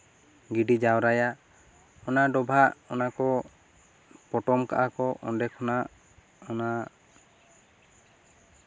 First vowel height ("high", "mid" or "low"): high